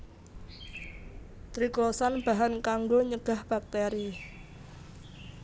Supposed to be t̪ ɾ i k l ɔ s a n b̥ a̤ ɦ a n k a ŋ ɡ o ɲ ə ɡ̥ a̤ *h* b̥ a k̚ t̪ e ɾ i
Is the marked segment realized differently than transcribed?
no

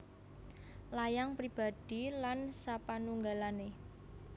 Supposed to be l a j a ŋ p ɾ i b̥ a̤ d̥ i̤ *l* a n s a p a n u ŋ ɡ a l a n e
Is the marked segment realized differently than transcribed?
no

